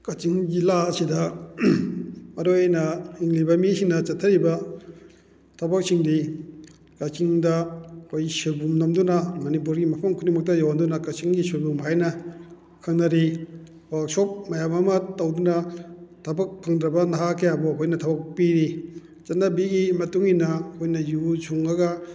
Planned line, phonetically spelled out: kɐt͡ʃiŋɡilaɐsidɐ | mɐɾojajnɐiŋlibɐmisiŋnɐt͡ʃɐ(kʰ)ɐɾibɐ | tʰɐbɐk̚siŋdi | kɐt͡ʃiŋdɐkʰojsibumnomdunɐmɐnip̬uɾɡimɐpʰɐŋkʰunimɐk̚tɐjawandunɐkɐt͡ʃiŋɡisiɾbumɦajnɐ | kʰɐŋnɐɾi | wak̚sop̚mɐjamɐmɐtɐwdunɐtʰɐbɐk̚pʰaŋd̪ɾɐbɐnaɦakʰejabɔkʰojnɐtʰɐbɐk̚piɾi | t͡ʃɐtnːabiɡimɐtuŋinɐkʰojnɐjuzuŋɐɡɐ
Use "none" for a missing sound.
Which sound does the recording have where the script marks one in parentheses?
tʰ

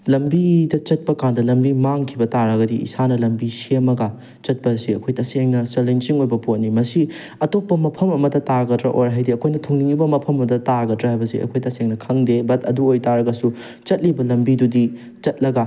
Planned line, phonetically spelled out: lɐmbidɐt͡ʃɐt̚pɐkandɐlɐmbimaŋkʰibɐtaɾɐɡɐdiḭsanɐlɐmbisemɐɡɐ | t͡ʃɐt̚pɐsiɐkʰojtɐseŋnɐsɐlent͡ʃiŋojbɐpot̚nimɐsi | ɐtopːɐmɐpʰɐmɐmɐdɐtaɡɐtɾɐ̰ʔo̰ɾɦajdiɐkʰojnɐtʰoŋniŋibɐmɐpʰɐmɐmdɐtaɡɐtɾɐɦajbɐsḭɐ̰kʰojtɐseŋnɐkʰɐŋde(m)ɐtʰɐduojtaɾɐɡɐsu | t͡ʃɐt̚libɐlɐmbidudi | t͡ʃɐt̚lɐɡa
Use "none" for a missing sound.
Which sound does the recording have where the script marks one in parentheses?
b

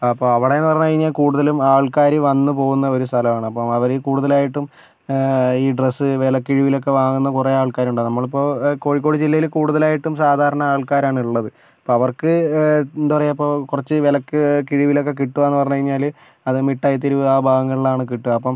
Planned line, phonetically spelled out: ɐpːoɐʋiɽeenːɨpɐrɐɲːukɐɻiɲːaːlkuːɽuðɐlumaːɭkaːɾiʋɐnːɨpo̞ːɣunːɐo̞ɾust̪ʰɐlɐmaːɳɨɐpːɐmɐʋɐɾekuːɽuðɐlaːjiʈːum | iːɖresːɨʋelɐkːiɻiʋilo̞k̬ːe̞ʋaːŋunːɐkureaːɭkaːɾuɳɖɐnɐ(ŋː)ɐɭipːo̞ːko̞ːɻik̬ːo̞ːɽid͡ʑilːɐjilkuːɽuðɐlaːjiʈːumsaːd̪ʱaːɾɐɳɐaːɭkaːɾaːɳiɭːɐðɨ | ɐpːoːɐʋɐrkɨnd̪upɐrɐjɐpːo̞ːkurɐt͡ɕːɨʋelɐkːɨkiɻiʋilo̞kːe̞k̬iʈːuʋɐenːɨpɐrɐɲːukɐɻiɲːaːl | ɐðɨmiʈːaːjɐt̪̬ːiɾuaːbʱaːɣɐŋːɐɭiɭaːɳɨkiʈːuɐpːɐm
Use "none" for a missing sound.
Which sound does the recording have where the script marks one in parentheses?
mː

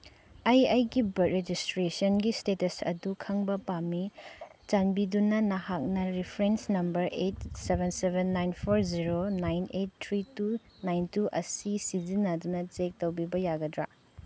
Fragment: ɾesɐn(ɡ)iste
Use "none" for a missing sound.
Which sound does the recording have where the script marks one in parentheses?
ɡ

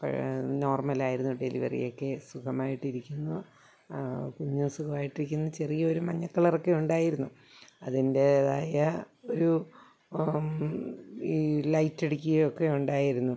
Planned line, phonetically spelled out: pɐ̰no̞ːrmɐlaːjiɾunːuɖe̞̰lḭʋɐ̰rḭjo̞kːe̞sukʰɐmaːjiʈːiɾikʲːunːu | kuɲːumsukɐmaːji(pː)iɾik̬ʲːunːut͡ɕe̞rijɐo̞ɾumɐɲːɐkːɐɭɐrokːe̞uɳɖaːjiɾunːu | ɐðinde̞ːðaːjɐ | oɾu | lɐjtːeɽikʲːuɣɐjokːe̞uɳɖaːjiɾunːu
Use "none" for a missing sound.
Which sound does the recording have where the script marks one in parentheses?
ʈː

